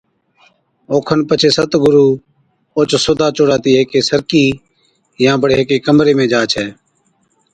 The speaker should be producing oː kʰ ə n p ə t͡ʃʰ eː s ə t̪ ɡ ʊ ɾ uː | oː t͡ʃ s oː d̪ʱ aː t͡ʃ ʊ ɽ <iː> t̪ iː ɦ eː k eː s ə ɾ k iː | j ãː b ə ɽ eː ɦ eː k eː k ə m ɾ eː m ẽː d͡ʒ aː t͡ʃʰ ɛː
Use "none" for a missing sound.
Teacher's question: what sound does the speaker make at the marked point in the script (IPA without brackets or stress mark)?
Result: aː